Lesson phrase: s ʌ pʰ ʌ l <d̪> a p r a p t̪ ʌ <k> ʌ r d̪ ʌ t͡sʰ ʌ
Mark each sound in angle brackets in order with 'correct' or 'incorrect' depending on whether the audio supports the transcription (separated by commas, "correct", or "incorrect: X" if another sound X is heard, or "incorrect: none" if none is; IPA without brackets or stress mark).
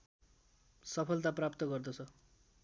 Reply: incorrect: t̪, incorrect: ɡ